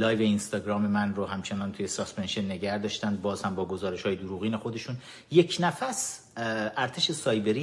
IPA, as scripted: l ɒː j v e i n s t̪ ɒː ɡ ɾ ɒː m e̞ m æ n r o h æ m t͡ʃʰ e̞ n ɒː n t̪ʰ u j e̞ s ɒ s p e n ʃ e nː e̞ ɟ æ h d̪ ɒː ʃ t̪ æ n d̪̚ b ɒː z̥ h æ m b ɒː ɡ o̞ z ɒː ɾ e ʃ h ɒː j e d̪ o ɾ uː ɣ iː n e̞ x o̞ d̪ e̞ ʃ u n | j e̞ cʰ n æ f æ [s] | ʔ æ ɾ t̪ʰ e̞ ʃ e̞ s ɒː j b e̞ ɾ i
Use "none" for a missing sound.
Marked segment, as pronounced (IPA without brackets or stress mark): s